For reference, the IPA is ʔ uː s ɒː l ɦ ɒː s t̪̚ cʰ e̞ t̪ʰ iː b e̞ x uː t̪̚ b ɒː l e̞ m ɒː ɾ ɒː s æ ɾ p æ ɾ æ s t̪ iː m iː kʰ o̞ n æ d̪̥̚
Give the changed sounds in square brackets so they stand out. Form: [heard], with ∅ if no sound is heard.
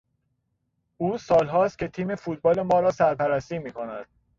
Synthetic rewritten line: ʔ uː s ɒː l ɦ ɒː s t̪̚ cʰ e̞ t̪ʰ iː [m] e̞ [f] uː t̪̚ b ɒː l e̞ m ɒː ɾ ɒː s æ ɾ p æ ɾ æ s t̪ iː m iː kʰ o̞ n æ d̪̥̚